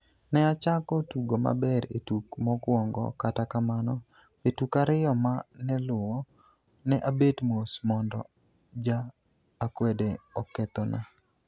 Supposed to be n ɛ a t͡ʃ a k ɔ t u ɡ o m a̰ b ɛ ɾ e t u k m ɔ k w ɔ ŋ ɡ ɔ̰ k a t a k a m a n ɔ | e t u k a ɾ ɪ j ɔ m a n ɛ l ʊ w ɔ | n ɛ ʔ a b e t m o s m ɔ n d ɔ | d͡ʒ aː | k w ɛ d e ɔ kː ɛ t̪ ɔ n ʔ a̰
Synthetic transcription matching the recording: n ɛ a t͡ʃ a k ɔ t u ɡ o m a̰ b ɛ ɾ e t u k m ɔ k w ɔ ŋ ɡ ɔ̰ k a t a k a m a n ɔ | e t u k a ɾ ɪ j ɔ m a n ɛ l ʊ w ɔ | n ɛ ʔ a b e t m o s m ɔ n d ɔ | d͡ʒ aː | k w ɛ d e ɔ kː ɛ t̪ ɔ n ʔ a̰